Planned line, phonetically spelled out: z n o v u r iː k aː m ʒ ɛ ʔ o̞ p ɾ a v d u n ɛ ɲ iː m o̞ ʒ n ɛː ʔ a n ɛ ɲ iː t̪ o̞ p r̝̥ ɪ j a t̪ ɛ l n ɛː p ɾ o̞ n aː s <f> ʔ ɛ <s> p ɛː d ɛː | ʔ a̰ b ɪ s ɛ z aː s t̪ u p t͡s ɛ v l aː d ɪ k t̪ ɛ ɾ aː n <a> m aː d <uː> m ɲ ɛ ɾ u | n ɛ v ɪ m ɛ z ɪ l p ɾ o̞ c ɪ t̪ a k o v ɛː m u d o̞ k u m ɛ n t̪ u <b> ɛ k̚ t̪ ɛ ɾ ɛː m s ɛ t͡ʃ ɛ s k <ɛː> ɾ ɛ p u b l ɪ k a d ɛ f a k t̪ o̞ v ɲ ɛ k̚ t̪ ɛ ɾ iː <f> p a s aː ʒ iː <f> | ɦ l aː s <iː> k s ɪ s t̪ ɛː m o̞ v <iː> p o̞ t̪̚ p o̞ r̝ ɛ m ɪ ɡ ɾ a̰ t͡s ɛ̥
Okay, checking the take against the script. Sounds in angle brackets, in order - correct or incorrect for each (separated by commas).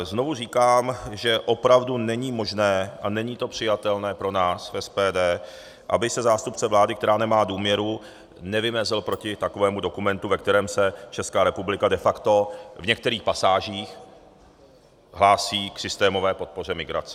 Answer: correct, correct, incorrect, correct, incorrect, incorrect, incorrect, incorrect, correct, incorrect